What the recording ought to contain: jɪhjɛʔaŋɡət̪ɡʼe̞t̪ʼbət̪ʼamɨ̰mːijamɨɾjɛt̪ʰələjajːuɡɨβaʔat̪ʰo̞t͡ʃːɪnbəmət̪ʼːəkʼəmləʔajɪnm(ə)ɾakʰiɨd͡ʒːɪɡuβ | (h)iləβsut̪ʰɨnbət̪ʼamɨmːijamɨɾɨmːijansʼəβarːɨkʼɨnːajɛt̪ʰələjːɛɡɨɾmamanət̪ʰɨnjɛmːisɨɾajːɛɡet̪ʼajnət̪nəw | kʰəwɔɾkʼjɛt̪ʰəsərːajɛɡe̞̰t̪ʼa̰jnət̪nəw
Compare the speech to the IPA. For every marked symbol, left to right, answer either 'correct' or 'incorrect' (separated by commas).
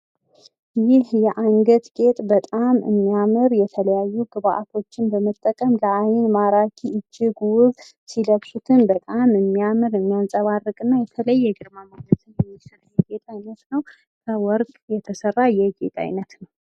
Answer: incorrect, incorrect